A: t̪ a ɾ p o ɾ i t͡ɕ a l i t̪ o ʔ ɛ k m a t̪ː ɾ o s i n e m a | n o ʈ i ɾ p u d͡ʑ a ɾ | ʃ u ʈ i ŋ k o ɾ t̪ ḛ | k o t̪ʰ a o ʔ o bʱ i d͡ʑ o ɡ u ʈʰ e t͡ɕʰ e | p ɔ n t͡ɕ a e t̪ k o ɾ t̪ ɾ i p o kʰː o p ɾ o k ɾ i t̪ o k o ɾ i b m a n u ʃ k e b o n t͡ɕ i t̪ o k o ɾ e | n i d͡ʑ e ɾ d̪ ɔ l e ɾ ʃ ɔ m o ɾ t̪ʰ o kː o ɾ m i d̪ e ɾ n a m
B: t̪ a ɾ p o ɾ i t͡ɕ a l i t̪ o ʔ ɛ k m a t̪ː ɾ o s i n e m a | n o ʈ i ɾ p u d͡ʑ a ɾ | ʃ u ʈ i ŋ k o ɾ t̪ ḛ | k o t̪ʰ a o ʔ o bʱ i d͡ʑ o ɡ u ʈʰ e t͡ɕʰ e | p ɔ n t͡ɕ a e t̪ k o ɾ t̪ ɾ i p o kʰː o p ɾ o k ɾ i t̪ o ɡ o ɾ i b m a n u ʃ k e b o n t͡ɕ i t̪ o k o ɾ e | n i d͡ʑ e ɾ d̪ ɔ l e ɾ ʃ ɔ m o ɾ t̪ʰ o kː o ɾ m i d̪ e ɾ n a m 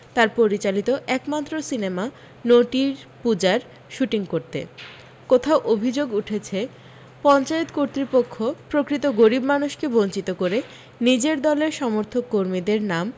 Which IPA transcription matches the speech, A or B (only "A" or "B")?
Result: B